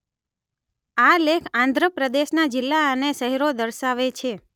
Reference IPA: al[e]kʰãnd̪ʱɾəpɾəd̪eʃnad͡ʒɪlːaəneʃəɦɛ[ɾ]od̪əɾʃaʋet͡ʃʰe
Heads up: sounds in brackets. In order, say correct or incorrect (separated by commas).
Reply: correct, correct